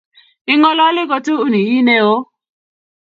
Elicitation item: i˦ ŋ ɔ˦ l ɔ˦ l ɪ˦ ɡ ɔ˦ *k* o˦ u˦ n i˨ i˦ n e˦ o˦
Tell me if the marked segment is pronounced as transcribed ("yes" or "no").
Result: no